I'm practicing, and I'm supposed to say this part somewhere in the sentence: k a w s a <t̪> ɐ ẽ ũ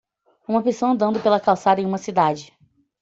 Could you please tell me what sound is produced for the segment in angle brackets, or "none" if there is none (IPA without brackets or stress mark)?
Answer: d̪